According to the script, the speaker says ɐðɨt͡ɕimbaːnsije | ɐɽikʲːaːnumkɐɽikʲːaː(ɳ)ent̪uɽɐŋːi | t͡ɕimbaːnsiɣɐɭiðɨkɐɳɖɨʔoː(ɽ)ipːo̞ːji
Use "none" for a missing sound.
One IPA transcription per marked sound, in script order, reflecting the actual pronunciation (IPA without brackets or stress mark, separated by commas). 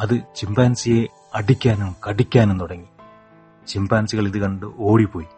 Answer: n, ɽ